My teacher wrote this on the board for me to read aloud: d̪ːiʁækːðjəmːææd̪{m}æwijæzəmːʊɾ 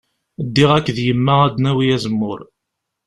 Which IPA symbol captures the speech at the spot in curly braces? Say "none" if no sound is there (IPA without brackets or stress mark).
n